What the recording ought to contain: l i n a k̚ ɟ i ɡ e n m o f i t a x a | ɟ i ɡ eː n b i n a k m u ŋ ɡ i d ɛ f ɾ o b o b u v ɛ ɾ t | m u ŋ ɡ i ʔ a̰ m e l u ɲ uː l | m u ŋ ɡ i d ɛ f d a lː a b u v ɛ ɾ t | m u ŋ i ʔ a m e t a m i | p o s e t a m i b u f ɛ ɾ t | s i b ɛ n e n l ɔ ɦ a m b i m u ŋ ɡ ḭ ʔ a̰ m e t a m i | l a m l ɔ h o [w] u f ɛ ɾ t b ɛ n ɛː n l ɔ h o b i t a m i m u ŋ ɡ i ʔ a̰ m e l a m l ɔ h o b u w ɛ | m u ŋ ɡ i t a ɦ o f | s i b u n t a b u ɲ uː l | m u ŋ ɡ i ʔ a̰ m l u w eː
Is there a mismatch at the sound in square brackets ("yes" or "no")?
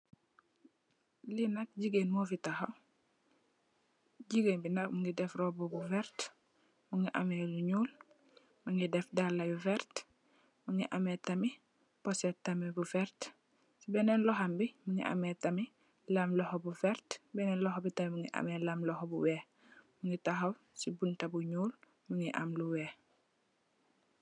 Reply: yes